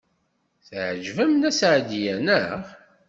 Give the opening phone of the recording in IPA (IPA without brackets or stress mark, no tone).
θ